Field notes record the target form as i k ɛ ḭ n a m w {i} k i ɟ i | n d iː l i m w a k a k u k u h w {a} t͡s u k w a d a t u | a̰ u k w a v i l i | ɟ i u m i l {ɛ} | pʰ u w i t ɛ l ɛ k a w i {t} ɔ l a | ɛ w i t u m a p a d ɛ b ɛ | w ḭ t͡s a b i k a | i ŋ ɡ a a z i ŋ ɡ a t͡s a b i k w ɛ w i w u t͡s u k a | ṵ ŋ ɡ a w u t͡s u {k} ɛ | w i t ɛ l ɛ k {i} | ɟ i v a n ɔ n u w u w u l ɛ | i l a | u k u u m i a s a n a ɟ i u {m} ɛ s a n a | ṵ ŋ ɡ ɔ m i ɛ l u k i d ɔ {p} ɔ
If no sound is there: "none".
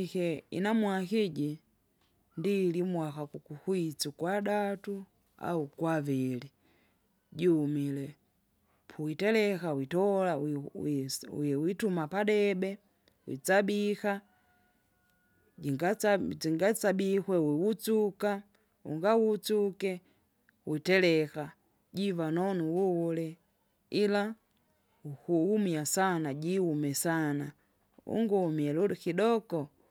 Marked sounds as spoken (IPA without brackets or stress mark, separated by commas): a, i, ɛ, t, k, a, m, k